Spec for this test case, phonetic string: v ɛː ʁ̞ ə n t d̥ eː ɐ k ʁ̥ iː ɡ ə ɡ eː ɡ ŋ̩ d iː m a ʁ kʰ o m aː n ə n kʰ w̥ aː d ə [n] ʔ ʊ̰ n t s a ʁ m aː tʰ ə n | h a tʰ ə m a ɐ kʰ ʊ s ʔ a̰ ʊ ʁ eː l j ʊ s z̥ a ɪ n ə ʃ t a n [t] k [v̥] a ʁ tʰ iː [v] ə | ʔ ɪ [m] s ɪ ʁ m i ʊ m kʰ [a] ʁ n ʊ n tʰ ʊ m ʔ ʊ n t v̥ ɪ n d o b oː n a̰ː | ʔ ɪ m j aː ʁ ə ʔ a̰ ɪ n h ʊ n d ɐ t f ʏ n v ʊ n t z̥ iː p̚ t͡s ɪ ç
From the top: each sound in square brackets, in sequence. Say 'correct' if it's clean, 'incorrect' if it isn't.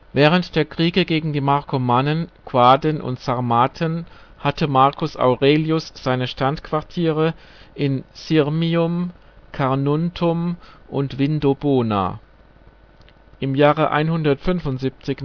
correct, correct, correct, incorrect: ʁ, incorrect: n, correct

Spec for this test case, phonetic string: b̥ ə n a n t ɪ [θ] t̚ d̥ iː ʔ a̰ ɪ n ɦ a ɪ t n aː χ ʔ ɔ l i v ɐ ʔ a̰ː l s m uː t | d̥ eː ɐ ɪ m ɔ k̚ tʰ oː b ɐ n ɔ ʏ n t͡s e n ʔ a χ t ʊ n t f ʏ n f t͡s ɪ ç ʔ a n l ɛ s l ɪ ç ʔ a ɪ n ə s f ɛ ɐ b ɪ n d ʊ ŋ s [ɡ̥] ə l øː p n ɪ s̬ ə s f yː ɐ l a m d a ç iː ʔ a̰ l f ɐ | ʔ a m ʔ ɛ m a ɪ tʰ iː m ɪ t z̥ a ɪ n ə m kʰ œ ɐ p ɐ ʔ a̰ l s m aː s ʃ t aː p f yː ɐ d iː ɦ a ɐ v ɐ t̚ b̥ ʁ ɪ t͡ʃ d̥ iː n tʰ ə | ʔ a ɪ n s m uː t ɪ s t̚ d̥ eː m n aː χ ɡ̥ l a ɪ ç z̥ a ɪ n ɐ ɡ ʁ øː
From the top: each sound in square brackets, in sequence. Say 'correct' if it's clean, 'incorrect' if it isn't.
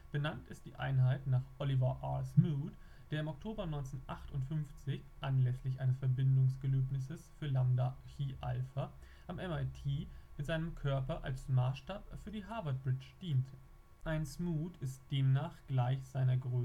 incorrect: s, correct

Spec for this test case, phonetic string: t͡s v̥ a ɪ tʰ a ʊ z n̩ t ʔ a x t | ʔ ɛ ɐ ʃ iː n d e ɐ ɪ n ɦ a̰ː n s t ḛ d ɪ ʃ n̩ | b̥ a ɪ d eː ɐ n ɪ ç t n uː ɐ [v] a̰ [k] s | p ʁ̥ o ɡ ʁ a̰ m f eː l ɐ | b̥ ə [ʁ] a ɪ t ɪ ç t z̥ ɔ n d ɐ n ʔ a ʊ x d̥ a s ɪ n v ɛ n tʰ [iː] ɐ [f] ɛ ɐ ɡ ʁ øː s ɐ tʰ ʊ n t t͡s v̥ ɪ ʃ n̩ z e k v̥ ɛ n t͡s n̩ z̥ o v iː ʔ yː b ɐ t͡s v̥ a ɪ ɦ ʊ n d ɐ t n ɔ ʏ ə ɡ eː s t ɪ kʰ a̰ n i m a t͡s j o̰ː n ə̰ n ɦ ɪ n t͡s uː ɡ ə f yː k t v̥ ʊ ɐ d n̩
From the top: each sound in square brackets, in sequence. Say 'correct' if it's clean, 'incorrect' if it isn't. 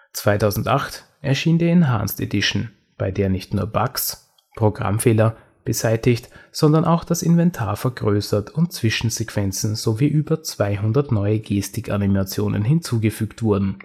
incorrect: b, correct, incorrect: z, incorrect: aː, correct

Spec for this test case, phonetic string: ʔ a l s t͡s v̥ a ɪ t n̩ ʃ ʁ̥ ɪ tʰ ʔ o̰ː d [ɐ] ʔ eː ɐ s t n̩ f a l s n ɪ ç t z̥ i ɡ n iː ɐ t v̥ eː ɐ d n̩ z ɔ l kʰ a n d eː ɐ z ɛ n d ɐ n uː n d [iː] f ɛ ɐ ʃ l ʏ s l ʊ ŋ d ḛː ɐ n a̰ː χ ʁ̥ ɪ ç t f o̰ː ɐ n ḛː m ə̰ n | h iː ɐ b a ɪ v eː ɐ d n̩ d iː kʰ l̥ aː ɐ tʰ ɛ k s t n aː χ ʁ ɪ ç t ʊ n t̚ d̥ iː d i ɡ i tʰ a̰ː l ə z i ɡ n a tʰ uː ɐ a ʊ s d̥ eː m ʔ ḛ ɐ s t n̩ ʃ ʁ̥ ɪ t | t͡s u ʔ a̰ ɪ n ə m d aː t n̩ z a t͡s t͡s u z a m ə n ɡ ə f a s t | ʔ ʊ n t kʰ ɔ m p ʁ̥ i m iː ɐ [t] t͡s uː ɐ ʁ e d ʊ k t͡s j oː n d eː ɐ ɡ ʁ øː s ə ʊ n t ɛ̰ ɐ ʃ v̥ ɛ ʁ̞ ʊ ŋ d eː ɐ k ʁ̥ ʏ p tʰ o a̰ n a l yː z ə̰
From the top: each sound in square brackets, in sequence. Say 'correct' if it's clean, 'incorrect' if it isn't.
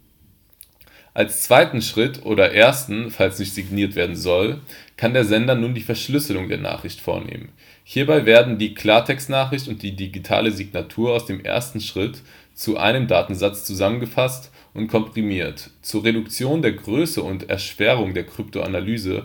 correct, correct, correct

